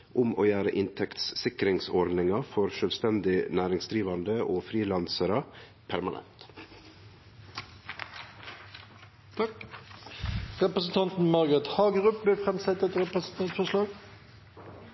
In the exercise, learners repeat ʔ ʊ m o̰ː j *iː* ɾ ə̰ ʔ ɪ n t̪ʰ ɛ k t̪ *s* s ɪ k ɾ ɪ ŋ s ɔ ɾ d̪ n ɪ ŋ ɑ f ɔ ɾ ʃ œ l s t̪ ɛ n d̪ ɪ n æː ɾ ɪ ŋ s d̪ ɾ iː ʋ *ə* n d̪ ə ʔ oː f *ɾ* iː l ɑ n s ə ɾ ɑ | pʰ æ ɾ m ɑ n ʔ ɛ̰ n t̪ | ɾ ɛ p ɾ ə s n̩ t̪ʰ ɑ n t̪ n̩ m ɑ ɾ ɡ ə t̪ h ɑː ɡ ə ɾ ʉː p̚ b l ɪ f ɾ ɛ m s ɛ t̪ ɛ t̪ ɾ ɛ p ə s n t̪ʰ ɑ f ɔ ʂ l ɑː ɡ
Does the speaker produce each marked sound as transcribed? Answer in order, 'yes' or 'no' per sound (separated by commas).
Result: no, yes, no, yes